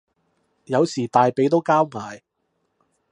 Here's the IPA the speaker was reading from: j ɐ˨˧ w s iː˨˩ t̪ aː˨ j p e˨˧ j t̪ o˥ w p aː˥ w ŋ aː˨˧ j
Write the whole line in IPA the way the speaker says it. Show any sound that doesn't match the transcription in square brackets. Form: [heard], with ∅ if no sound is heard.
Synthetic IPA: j ɐ˨˧ w s iː˨˩ t̪ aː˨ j p e˨˧ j t̪ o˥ w [k] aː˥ w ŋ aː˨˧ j